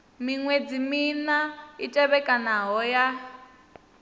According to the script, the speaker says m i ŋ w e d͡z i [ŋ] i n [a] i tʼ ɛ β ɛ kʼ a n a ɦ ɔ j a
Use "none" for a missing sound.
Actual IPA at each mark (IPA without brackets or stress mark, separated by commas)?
m, a